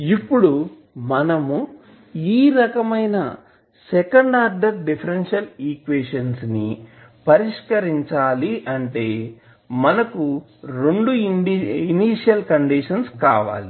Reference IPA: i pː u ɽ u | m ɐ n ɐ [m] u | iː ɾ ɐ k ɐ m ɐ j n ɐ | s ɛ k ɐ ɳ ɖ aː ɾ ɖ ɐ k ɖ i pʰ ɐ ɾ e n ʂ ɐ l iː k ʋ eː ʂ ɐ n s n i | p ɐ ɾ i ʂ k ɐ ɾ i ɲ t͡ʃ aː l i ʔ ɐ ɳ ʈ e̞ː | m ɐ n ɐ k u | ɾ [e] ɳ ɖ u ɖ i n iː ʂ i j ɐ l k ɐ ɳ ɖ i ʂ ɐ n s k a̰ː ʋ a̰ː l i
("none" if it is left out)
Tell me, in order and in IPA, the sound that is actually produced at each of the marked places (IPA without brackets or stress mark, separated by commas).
m, e